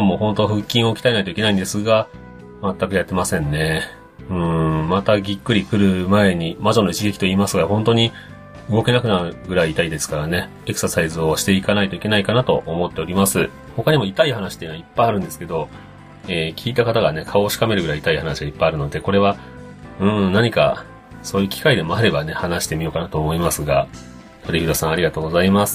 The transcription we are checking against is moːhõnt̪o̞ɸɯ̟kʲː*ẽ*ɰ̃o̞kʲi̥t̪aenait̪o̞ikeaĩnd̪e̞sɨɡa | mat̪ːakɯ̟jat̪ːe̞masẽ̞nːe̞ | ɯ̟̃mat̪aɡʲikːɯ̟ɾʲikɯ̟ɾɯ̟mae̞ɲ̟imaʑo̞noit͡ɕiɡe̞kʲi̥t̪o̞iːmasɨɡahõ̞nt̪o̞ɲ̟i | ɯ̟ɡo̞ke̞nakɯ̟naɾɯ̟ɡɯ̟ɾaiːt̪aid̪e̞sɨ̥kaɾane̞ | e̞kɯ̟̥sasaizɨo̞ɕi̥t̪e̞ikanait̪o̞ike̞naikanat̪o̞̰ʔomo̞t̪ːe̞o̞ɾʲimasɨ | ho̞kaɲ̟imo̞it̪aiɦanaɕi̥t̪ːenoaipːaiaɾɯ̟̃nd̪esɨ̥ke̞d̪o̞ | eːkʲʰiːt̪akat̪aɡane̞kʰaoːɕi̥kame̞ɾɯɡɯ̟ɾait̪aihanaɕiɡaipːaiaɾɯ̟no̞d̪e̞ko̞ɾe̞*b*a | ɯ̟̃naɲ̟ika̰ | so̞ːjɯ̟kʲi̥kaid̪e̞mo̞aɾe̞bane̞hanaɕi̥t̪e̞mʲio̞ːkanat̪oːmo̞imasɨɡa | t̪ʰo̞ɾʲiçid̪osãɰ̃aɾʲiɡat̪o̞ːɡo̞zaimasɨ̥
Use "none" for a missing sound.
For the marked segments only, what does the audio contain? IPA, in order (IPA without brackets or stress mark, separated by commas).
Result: ĩ, β